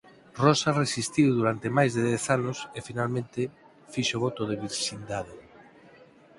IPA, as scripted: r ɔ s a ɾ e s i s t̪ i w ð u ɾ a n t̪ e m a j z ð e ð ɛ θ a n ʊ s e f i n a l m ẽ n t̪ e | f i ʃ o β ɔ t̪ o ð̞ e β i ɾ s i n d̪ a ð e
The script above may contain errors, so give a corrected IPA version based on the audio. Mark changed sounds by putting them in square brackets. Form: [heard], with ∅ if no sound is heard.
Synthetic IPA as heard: r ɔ s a [r] e s i s t̪ i w ð u ɾ a n t̪ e m a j z ð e ð ɛ θ a n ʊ s e f i n a l m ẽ n t̪ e | f i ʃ o β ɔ t̪ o ð̞ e β i ɾ [ʃ] i n d̪ a ð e